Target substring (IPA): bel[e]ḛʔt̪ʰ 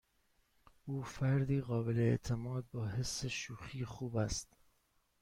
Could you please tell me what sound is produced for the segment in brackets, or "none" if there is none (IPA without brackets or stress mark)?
e